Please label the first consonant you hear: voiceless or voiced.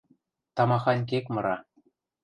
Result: voiceless